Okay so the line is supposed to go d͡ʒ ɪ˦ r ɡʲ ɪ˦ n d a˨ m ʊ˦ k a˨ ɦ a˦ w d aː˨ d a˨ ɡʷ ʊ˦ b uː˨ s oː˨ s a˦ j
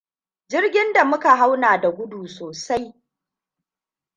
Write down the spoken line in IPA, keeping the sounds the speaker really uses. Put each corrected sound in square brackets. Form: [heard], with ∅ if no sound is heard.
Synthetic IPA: d͡ʒ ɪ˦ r ɡʲ ɪ˦ n d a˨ m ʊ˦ k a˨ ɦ a˦ w [n] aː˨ d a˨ ɡʷ ʊ˦ [d] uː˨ s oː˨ s a˦ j

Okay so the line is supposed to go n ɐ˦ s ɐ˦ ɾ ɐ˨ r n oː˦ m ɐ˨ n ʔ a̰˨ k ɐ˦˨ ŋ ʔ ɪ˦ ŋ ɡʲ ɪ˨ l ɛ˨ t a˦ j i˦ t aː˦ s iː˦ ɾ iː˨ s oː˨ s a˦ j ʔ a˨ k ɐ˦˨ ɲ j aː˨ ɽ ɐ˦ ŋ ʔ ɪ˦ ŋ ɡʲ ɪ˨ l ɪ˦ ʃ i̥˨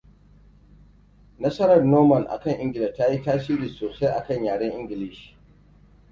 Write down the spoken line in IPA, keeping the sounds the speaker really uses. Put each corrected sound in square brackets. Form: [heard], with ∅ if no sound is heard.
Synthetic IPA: n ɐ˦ s ɐ˦ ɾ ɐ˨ r n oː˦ m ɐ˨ n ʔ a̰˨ k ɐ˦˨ ŋ ʔ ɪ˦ ŋ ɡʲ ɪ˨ l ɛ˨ t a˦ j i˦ t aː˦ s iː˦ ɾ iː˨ s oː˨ s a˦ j ʔ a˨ k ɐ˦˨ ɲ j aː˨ ɽ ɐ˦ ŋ ʔ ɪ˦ ŋ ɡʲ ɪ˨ l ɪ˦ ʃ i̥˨

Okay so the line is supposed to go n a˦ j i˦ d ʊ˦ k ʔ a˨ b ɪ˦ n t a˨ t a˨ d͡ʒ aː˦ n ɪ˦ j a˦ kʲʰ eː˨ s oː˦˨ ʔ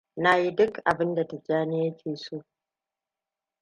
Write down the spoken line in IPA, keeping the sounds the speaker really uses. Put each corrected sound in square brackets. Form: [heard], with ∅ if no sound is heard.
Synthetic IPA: n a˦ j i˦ d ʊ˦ k ʔ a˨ b ɪ˦ n [d] a˨ t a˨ d͡ʒ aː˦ n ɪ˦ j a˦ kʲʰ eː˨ s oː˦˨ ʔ

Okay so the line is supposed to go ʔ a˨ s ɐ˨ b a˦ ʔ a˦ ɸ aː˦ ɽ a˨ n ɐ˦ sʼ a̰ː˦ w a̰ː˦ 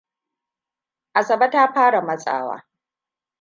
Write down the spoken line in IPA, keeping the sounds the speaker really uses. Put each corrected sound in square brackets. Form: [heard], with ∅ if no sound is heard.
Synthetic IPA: ʔ a˨ s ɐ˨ b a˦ [t] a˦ ɸ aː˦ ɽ a˨ [m] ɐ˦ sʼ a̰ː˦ w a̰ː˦

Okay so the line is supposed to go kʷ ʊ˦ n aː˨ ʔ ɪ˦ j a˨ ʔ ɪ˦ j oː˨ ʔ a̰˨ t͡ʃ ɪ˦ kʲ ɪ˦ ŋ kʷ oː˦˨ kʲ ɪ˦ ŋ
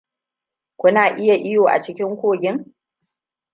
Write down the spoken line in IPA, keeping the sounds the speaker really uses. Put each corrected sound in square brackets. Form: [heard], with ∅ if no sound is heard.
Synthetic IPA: kʷ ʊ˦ n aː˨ ʔ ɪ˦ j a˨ ʔ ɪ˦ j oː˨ ʔ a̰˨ t͡ʃ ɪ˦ kʲ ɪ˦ ŋ kʷ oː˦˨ [ɡʲ] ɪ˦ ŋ

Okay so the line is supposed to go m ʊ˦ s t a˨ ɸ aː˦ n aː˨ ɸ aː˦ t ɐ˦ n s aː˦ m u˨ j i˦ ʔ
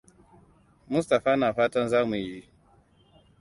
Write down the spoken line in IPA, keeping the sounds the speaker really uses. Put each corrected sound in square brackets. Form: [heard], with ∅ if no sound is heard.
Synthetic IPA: m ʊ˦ s t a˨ ɸ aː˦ n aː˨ ɸ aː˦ t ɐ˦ n [z] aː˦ m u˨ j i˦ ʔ

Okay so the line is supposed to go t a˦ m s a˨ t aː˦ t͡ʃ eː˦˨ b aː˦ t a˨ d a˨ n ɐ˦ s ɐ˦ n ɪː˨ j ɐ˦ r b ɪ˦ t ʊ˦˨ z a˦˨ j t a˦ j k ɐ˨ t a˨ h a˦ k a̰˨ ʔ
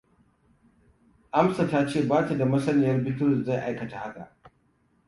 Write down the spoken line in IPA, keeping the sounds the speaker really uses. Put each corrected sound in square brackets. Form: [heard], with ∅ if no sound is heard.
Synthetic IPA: [ʔ] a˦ m s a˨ t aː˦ t͡ʃ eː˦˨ b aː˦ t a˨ d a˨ [m] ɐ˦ s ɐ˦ n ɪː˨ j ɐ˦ r b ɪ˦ t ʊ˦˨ z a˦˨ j [ʔ] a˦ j k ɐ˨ t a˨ h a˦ k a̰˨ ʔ

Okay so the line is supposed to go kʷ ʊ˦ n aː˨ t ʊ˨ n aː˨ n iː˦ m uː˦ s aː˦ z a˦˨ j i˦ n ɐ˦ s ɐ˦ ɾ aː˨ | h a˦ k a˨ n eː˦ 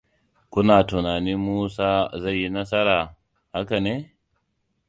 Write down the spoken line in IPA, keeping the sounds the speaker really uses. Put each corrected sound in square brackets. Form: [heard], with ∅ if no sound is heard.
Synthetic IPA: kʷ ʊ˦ n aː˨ t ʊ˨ n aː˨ n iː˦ m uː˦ s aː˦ z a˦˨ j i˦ n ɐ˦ s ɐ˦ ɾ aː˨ | h a˦ k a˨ n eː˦

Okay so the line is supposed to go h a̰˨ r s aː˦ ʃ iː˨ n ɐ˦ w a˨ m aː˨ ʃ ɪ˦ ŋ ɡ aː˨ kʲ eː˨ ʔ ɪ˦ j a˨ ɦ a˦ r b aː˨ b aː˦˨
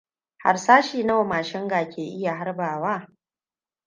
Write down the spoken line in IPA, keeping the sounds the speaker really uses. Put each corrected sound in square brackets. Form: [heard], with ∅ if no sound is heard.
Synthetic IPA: h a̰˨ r s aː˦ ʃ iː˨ n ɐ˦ w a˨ m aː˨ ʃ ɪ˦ ŋ ɡ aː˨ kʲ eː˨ ʔ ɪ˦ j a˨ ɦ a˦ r b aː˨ [w] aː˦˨

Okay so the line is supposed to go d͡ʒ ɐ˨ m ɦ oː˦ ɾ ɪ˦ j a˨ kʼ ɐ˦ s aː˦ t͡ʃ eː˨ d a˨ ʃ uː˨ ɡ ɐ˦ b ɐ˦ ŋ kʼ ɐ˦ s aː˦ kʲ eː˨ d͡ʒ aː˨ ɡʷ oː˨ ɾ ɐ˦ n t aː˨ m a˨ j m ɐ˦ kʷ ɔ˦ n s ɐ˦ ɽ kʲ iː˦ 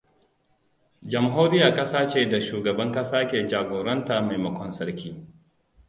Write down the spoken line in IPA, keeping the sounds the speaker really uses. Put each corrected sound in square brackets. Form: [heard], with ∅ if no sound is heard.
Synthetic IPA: d͡ʒ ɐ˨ m ɦ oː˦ ɾ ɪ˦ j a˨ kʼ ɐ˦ s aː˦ t͡ʃ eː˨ d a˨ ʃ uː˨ ɡ [ɐ˨] b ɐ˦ ŋ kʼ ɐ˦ s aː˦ kʲ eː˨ d͡ʒ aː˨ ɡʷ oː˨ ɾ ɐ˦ n t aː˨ m a˨ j m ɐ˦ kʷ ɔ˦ n s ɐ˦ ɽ kʲ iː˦

